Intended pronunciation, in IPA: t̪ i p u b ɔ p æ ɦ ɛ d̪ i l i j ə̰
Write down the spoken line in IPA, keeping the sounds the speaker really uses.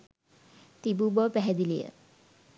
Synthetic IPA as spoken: t̪ i b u b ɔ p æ ɦ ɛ d̪ i l i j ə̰